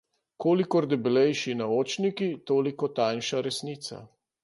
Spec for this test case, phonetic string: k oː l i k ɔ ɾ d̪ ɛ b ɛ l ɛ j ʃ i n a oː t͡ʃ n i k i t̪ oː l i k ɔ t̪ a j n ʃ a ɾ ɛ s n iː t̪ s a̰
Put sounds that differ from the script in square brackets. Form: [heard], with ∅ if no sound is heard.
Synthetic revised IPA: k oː l i k ɔ ɾ d̪ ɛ b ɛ l ɛ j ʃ i n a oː t͡ʃ n i k i t̪ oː l i k ɔ t̪ a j n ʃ a ɾ ɛ s n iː t̪ s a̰